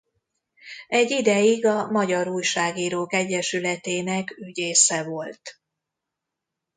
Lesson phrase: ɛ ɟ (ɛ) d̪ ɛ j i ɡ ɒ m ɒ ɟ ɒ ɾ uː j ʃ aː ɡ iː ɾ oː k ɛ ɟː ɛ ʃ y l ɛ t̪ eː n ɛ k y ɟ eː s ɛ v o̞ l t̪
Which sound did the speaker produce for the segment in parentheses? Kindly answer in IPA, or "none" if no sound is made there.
i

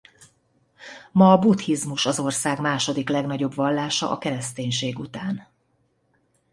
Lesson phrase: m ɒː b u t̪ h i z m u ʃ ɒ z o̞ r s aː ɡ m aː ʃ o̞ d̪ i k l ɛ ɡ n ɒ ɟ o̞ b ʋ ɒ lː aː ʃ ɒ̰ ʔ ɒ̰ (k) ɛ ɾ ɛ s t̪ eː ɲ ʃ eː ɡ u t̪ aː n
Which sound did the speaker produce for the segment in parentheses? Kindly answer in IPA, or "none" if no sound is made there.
k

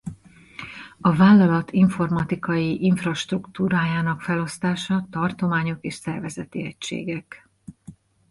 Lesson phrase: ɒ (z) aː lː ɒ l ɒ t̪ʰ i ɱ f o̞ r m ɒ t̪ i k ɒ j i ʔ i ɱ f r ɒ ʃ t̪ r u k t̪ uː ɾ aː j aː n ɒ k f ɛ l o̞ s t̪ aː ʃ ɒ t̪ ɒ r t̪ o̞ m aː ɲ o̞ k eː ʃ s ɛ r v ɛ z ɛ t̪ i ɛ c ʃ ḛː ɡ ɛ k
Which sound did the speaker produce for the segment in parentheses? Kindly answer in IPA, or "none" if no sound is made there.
v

